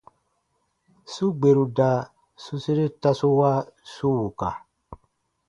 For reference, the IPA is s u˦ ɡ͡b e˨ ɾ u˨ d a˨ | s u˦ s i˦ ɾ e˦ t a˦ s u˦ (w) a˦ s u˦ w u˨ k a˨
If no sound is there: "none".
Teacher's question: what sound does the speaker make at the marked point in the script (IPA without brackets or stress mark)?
w